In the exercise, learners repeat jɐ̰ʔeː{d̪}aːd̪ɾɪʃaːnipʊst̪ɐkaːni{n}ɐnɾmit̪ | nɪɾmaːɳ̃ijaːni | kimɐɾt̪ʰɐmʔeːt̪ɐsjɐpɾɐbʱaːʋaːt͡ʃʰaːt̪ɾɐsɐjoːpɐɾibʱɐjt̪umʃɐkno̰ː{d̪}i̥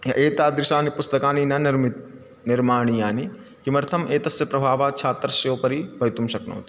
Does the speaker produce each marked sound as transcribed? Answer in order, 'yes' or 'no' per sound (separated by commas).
no, yes, no